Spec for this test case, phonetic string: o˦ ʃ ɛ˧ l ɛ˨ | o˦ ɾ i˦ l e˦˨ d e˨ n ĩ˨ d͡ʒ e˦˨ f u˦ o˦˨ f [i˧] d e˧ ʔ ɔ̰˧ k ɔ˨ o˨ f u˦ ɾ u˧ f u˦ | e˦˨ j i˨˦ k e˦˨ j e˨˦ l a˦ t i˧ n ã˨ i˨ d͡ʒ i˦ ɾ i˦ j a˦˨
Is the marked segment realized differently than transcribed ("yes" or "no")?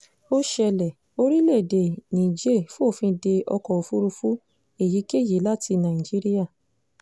yes